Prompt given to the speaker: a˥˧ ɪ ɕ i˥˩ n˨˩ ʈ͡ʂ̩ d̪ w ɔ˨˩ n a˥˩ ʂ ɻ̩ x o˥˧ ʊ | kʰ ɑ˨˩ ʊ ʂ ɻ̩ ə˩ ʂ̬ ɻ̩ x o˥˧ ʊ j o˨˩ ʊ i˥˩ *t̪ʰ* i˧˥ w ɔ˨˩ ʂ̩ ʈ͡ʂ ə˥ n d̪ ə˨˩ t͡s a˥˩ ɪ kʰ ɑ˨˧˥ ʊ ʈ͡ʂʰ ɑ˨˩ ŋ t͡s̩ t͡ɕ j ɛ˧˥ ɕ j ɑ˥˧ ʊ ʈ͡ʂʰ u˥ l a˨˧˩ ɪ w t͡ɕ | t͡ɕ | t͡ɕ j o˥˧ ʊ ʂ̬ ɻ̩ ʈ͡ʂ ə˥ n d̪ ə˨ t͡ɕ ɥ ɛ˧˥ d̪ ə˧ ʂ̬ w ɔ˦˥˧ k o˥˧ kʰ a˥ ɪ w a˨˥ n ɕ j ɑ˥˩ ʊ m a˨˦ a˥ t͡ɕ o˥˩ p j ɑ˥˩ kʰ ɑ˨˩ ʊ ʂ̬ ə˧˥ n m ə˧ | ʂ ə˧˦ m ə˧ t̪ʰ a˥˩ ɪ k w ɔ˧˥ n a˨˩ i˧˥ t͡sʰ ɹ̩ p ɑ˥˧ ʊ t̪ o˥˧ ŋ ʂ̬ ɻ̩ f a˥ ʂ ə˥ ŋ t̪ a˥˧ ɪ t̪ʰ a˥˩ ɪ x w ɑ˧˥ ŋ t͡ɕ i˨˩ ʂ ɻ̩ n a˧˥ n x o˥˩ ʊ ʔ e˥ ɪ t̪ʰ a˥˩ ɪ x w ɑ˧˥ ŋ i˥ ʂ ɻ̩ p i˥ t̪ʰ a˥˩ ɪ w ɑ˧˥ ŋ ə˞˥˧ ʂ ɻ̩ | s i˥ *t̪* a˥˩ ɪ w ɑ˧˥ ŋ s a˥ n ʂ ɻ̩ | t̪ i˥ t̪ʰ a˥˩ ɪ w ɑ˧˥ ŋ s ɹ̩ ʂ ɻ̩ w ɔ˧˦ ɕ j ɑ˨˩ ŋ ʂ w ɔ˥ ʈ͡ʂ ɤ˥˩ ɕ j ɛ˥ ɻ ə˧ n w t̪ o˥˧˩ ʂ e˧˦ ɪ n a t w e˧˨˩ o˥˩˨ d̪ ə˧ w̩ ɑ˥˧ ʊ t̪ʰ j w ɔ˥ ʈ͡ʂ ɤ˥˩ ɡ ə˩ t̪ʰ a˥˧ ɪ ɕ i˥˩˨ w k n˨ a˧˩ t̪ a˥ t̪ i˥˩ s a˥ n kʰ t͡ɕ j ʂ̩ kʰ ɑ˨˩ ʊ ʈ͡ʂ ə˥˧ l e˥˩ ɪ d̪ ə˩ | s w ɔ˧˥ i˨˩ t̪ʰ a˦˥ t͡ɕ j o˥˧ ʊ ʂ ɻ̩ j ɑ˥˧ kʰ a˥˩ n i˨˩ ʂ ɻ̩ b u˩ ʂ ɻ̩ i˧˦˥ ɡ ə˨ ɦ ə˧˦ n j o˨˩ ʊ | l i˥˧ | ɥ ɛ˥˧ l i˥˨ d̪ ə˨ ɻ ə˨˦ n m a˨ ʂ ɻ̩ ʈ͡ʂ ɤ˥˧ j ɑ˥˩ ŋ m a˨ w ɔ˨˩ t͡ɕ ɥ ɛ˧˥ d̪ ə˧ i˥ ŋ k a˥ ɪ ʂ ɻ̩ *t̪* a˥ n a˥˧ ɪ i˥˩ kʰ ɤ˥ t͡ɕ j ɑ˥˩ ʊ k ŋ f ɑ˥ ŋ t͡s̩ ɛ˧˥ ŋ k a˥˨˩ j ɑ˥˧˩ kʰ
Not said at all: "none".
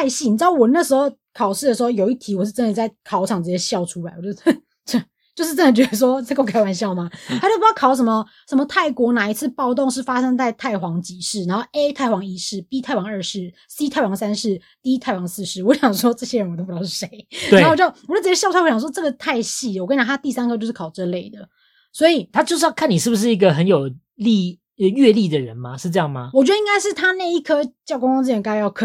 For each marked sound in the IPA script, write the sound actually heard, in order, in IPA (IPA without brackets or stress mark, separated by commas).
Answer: t̪ʰ, t̪ʰ, t̪ʰ